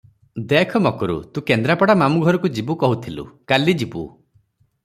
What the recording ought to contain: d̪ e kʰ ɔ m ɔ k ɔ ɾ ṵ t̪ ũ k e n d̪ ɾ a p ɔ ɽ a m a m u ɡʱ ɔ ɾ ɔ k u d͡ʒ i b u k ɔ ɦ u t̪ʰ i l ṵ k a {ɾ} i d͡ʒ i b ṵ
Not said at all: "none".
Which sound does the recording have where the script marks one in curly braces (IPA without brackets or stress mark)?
l